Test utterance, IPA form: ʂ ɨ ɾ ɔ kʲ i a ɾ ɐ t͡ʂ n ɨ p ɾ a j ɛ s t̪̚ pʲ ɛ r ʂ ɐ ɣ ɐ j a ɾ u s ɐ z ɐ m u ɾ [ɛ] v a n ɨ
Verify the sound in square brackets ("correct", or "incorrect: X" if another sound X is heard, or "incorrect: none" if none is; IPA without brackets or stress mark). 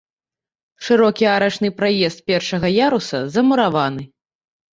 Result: incorrect: a